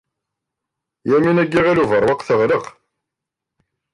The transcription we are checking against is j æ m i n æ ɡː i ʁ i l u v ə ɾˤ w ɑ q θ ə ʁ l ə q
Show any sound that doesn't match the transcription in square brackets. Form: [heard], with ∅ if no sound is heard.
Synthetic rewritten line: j æ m i n æ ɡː i ʁ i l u v ə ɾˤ w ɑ q θ ə ʁ l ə q